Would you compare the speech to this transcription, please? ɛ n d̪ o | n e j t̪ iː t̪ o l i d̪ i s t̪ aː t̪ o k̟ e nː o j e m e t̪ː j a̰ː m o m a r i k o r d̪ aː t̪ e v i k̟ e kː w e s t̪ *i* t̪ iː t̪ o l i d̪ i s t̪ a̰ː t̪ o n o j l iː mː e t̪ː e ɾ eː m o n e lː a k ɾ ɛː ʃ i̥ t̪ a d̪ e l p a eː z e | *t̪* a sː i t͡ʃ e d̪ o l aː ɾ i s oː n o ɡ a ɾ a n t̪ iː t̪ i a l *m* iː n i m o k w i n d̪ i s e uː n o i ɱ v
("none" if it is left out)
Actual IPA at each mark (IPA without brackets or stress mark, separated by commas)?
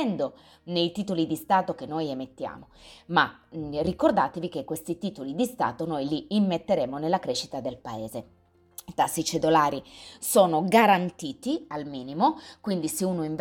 i, t̪, m